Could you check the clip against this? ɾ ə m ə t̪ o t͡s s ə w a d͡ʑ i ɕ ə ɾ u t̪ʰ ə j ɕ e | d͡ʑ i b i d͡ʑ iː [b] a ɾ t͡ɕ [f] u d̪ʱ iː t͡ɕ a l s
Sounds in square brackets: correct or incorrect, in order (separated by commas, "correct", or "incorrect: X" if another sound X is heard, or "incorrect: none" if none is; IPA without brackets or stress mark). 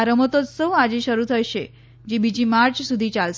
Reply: incorrect: m, incorrect: s